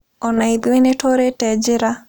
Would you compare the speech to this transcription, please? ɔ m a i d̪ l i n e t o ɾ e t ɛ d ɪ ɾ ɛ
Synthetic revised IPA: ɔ n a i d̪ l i n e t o ɾ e t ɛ d͡ʒ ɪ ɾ a